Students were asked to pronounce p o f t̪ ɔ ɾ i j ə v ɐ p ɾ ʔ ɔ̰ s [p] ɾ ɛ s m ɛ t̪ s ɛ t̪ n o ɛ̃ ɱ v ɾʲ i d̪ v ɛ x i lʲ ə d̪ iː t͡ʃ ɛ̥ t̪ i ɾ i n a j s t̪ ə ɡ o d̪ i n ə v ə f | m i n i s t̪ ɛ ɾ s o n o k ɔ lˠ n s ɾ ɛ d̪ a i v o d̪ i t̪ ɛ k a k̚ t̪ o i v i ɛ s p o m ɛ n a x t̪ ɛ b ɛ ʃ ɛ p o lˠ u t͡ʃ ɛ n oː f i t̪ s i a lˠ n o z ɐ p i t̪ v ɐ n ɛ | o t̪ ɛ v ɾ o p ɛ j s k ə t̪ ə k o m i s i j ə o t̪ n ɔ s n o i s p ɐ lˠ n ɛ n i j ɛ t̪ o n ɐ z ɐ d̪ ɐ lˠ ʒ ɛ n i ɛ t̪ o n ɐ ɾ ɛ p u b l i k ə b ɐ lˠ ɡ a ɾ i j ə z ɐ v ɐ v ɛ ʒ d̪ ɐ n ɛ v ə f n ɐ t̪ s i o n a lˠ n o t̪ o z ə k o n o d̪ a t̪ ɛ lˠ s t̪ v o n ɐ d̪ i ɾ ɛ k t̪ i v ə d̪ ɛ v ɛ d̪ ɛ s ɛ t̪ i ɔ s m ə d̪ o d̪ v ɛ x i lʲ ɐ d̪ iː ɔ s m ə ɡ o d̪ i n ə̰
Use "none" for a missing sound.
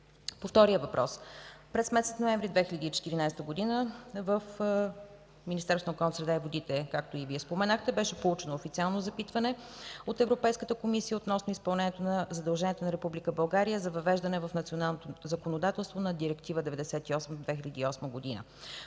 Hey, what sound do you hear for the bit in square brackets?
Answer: p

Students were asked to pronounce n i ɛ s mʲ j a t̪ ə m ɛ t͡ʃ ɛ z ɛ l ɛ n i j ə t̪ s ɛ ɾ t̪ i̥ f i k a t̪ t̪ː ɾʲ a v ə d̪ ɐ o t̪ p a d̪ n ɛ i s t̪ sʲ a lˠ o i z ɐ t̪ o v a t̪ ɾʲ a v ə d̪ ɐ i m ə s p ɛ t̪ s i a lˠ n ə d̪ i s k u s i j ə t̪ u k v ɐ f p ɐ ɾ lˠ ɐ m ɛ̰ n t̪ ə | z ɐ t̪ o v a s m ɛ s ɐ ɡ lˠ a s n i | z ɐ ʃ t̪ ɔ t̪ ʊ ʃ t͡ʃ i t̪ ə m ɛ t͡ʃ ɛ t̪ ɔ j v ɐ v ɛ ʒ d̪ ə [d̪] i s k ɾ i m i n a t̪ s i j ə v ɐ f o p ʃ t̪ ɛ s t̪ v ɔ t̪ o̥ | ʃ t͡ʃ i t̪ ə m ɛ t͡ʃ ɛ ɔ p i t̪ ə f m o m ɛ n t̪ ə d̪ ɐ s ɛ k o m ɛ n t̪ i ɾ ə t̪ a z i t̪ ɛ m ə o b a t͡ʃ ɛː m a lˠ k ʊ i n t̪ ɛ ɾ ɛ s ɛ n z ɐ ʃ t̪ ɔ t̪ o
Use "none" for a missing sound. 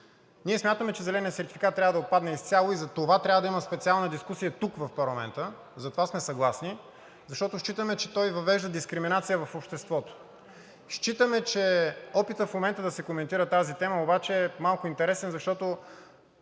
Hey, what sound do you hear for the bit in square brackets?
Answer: d̪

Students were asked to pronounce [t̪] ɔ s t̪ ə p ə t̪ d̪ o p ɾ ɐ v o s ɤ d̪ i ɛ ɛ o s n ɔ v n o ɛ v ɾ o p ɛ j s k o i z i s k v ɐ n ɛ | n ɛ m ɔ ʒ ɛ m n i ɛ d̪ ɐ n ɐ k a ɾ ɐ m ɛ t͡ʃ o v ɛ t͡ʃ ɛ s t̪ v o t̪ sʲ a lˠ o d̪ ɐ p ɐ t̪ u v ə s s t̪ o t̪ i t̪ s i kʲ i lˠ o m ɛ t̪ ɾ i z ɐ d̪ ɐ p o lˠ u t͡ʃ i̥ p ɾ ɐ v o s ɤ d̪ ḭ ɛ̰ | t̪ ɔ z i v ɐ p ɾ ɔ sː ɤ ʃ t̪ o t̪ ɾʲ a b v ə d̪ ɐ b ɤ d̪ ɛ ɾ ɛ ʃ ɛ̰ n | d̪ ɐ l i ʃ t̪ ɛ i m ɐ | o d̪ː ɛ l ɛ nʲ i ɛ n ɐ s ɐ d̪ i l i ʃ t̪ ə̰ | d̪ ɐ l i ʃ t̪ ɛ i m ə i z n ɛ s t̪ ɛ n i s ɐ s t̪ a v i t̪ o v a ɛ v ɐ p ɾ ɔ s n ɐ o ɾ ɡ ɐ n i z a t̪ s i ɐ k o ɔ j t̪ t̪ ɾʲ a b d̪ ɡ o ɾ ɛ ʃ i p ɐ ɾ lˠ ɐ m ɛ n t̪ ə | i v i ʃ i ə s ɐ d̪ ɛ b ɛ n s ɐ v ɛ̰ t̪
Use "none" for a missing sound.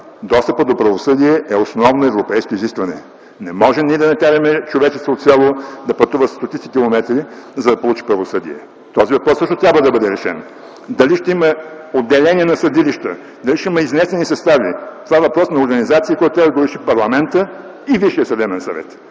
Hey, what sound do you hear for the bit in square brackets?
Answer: d̪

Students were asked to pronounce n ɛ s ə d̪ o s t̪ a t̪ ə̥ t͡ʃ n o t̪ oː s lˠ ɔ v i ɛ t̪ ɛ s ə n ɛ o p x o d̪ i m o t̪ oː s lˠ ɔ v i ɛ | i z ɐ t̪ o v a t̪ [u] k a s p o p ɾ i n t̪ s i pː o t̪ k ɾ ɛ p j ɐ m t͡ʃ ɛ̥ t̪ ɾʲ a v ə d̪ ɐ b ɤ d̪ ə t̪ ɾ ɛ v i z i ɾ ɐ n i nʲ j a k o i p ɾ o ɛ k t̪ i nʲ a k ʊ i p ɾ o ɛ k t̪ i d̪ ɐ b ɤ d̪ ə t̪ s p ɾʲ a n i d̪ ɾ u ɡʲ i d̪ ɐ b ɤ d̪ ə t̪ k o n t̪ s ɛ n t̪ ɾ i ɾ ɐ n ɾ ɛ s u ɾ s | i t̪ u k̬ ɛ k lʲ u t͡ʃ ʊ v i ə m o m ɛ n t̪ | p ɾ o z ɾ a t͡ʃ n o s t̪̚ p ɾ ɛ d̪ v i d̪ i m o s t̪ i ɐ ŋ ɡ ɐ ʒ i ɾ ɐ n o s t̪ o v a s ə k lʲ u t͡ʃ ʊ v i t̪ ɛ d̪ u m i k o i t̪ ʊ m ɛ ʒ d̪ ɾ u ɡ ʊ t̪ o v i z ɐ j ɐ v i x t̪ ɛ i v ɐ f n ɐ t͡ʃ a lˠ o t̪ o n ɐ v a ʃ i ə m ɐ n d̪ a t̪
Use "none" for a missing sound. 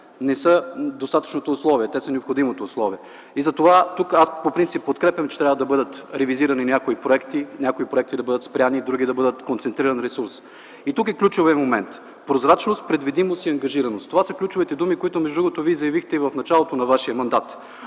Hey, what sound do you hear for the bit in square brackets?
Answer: u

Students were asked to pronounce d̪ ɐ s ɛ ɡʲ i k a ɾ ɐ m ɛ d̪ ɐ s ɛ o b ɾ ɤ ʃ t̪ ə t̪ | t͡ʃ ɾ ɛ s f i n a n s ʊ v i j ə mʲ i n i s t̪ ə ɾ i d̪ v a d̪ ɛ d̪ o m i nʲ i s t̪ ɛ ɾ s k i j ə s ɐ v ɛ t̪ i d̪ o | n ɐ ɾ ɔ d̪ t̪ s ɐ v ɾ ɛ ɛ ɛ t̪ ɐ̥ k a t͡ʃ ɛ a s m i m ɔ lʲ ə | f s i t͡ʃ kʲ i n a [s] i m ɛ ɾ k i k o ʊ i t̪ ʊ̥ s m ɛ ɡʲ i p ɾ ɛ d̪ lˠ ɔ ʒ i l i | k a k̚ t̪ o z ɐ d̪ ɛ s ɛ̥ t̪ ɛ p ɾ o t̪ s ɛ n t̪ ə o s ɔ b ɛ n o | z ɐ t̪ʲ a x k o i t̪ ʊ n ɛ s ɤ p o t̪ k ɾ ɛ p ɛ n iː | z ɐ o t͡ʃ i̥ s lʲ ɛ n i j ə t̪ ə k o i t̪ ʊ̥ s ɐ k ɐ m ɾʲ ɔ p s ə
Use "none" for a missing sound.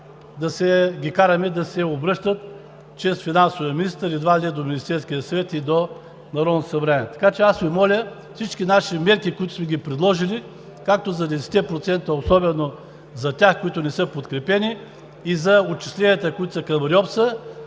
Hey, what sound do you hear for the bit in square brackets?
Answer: ʃ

